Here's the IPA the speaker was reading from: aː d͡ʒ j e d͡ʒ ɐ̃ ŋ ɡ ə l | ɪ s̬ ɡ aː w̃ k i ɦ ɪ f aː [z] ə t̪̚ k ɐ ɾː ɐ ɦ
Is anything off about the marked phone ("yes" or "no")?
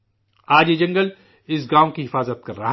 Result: no